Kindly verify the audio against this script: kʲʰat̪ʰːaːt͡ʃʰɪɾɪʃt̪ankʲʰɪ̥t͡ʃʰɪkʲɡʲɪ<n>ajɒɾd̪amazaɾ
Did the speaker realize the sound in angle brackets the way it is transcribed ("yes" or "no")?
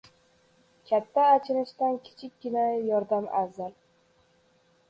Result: yes